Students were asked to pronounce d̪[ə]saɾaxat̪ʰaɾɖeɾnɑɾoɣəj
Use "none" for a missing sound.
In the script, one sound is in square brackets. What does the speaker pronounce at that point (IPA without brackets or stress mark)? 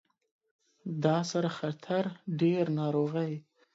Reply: ɑ